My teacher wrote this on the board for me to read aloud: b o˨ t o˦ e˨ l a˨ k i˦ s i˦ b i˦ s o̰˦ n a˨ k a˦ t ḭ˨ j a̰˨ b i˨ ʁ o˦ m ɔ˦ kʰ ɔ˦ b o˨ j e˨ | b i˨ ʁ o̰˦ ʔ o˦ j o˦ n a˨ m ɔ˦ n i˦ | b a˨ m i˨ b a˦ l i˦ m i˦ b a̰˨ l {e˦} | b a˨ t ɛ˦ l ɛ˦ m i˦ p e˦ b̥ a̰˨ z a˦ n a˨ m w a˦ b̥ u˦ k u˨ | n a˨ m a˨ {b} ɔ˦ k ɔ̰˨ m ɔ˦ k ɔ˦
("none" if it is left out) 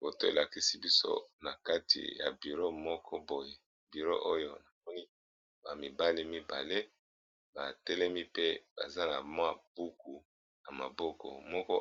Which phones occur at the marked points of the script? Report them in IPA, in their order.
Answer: e˦, b

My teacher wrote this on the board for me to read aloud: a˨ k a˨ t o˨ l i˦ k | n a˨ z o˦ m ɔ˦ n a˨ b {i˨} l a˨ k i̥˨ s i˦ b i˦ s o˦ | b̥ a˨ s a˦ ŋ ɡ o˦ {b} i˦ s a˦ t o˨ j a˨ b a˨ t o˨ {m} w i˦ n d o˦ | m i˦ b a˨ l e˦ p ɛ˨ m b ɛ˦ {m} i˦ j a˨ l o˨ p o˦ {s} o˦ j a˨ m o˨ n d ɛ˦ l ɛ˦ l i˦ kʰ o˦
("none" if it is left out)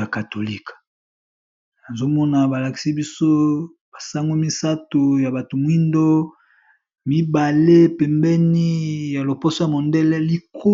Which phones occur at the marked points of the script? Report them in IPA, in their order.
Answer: a˨, m, m, n, s

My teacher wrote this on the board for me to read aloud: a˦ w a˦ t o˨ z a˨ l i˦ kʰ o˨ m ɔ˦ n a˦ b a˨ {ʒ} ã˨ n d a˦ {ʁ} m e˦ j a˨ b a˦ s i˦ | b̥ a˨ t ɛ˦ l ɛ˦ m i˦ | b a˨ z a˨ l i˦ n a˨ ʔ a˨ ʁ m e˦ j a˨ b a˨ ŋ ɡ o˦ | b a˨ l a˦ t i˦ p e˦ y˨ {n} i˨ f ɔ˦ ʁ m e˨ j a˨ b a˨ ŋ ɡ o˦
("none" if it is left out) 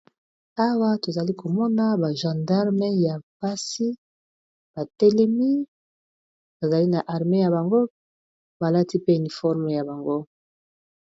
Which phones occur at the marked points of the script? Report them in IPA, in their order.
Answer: ʒ, ʁ, n

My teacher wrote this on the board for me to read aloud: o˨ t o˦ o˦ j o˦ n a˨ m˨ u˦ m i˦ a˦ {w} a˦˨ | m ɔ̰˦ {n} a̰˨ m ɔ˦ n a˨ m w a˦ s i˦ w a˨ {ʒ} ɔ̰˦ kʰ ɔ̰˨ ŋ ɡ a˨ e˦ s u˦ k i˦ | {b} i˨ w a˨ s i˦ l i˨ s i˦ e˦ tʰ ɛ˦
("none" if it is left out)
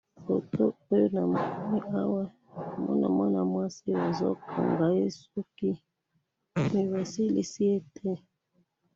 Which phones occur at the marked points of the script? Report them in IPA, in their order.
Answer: w, n, z, m

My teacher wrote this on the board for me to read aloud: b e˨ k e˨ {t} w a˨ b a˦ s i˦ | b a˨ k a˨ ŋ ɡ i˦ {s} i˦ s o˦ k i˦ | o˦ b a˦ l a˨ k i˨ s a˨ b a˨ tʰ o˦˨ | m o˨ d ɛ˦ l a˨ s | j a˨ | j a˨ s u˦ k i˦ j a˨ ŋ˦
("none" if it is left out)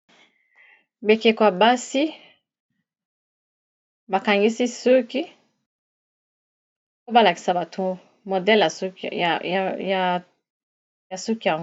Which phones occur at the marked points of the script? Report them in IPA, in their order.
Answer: k, s

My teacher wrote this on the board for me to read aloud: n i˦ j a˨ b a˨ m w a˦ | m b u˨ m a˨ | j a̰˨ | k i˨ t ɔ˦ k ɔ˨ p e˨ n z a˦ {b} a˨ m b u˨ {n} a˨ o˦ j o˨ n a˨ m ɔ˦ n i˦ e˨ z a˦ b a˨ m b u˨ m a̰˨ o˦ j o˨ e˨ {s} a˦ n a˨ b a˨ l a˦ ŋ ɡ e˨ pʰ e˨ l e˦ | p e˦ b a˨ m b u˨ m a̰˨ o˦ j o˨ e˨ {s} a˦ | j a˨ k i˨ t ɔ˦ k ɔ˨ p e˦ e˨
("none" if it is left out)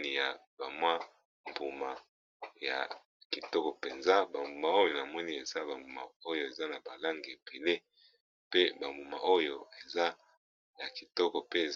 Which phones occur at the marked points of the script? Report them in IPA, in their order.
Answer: b, m, z, z

